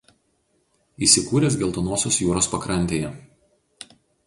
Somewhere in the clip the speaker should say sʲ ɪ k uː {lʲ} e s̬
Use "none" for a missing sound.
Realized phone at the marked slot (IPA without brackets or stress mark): ɾʲ